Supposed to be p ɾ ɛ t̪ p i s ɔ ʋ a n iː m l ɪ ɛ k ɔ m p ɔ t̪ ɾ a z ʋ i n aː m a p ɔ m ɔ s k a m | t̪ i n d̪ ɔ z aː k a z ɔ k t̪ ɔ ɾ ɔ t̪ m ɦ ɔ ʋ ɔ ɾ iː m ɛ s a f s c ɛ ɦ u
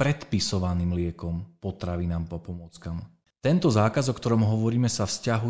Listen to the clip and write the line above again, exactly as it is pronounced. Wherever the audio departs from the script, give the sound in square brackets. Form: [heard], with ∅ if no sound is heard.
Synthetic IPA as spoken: p ɾ ɛ t̪ p i s ɔ ʋ a n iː m l ɪ ɛ k ɔ m p ɔ t̪ ɾ a [∅] ʋ i n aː m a p ɔ m ɔ [t͡s] k a m | t̪ [ɛ] n [t̪] ɔ z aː k a z ɔ k t̪ ɔ ɾ ɔ [∅] m ɦ ɔ ʋ ɔ ɾ iː m ɛ s a f s c [a] ɦ u